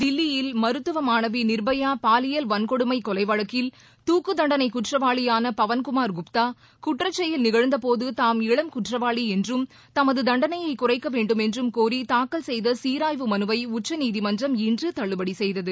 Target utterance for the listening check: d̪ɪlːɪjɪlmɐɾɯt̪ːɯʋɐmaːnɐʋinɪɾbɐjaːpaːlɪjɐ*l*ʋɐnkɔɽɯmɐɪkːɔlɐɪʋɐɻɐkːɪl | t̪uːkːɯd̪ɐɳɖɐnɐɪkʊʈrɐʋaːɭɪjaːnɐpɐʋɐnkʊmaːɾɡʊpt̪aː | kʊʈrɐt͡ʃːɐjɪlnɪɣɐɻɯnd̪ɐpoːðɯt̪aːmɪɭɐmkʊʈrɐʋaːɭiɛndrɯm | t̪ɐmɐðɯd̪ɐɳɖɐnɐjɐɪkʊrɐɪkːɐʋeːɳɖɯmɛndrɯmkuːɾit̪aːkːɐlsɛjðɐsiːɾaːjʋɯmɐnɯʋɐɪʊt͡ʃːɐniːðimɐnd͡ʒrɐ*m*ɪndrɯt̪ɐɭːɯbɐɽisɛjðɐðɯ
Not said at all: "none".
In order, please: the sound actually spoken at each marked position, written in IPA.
l, m

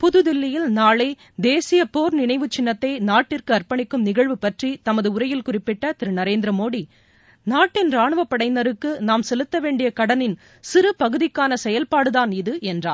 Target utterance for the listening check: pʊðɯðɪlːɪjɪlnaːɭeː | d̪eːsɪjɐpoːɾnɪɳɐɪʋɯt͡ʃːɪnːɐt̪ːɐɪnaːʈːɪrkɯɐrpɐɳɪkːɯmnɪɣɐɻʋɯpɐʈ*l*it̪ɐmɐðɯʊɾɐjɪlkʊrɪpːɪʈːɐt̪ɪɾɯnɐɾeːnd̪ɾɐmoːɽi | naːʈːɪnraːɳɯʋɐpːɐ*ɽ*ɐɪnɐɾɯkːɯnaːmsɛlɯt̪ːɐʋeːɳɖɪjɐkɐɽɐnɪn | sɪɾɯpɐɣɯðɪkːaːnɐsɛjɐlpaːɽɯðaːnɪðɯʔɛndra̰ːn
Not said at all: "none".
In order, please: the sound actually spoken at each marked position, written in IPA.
r, ɽ

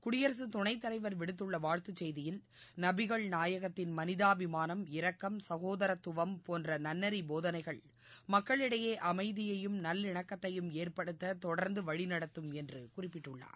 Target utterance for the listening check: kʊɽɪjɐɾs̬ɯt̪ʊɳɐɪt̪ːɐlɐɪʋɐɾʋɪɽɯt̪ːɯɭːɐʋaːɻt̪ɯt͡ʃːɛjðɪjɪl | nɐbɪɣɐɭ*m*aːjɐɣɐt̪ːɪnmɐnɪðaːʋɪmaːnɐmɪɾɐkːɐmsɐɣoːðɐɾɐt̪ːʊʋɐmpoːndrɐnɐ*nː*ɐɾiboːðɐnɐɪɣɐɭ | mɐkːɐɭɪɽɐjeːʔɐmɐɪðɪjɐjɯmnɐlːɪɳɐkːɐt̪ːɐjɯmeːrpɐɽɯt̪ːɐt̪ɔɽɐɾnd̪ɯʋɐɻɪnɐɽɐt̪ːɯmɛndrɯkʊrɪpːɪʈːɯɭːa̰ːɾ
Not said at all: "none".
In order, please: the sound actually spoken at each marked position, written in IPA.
n, nː

